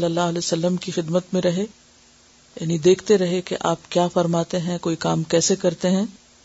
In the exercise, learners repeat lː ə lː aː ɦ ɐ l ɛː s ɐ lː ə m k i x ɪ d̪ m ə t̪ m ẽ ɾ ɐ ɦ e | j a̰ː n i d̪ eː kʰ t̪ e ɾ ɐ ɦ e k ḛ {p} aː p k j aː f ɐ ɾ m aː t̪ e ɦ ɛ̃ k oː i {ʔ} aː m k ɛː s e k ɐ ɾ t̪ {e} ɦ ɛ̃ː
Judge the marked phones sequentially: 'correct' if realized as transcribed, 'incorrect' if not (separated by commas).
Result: incorrect, incorrect, correct